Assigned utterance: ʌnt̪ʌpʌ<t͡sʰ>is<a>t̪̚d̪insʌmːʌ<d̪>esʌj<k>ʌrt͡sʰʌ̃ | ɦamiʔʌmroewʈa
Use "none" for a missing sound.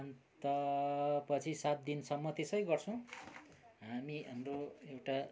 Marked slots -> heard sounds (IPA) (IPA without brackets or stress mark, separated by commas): t͡sʰ, a, t̪, ɡ